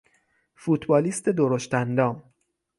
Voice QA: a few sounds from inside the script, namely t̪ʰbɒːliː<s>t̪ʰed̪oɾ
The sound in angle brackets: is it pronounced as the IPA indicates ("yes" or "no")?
yes